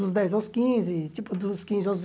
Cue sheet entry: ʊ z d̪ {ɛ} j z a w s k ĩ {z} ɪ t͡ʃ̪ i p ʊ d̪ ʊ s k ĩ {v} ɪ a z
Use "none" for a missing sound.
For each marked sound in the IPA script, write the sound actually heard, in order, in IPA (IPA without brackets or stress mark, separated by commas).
ɛ, z, z